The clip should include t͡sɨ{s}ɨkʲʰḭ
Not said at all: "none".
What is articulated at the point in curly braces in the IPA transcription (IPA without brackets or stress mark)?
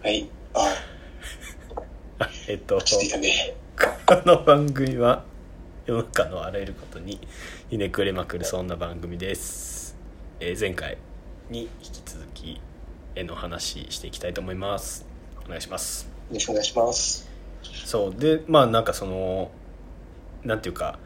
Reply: z